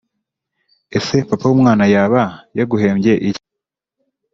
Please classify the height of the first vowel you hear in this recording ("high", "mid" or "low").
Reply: mid